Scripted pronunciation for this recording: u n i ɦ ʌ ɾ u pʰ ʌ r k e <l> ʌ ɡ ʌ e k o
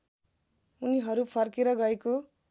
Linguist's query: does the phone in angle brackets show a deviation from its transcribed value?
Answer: yes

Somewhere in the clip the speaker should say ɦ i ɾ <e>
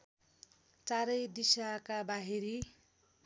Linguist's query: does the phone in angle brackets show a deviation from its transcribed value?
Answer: yes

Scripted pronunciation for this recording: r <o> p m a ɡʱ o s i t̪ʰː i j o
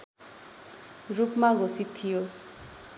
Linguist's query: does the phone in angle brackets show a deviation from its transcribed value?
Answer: yes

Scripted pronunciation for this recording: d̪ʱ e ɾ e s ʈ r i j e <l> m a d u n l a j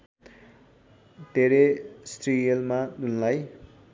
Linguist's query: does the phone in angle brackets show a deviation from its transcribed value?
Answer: no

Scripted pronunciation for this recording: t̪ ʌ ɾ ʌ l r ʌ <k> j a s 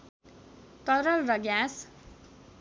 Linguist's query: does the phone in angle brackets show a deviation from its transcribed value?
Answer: yes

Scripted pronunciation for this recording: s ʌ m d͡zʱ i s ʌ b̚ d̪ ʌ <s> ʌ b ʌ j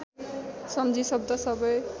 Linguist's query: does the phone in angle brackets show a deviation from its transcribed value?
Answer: no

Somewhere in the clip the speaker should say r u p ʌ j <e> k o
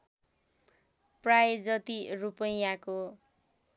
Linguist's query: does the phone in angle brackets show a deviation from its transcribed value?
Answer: yes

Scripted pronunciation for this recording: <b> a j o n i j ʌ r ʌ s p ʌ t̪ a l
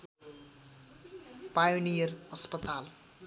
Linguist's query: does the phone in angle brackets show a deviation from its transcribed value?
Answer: yes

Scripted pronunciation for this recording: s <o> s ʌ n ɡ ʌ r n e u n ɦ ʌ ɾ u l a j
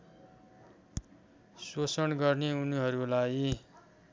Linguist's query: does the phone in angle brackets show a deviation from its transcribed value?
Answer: no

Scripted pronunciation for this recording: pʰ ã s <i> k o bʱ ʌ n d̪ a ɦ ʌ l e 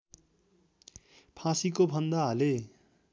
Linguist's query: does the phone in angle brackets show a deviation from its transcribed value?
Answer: no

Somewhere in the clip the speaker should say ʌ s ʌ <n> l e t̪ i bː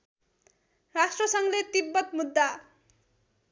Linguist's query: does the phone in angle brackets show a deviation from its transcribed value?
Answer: yes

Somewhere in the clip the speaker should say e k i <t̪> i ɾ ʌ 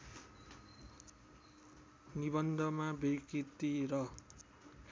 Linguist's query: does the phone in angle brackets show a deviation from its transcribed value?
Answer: no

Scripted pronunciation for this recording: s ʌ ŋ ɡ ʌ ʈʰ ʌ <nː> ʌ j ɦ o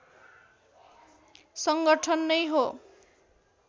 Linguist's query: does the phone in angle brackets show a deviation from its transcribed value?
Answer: no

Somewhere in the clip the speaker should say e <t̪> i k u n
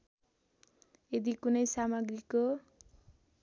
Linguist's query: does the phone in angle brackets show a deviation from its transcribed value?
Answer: yes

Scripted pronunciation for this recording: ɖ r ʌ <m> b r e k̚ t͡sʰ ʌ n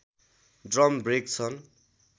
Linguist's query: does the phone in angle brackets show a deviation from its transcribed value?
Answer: no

